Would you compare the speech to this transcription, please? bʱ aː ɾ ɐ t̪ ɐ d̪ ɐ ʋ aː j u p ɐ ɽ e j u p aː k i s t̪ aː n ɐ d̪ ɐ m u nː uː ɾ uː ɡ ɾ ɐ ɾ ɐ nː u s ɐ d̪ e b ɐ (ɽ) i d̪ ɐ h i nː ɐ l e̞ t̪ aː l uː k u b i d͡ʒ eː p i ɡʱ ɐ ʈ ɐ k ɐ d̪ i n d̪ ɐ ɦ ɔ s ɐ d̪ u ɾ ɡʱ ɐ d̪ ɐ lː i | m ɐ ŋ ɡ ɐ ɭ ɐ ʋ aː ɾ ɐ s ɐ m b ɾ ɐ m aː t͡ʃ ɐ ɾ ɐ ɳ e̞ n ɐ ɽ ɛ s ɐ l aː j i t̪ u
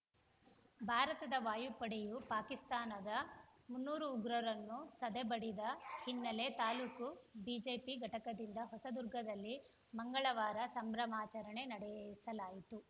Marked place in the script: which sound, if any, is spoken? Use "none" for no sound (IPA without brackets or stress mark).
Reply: ɽ